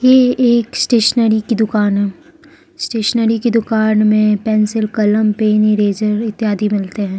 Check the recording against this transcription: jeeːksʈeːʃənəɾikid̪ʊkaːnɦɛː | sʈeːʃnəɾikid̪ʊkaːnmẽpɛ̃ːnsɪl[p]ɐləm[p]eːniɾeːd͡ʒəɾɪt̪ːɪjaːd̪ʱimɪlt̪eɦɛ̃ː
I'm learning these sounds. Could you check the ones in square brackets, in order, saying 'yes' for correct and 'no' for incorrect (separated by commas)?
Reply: no, yes